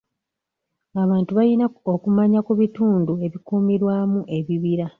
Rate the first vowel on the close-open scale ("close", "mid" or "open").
open